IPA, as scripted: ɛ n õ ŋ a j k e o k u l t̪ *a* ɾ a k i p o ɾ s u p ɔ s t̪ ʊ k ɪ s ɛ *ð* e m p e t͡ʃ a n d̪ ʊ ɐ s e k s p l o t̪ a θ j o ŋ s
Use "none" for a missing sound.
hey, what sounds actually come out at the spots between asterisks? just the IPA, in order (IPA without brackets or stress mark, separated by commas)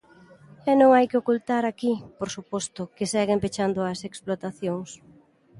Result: a, ɣ